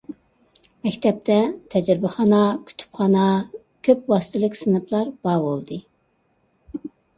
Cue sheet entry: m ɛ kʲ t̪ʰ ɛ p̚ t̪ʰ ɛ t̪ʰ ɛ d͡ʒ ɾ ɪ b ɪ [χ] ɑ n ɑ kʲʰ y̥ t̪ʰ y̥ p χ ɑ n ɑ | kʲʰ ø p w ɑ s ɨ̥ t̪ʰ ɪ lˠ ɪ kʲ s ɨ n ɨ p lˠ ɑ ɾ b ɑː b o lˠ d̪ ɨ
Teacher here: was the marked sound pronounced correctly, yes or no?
yes